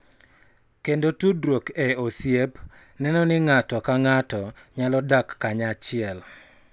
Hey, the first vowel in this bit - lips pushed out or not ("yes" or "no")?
no